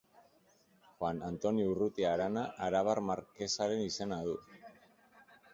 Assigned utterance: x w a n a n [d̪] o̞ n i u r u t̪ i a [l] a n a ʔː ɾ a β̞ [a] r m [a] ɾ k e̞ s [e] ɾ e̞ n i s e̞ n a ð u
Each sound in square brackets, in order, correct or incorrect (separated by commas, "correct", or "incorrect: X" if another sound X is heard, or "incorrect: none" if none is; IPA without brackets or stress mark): incorrect: t̪, incorrect: ɾ, correct, correct, incorrect: a